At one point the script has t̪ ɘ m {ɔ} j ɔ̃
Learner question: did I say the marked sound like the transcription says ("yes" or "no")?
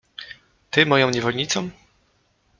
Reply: yes